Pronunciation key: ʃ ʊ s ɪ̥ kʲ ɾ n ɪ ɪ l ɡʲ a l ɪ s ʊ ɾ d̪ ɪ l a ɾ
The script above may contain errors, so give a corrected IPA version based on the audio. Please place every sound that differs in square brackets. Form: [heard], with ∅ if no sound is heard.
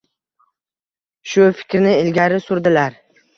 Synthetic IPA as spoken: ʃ ʊ [f] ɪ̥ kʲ ɾ n ɪ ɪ l ɡʲ a [ɾ] ɪ s ʊ ɾ d̪ ɪ l a ɾ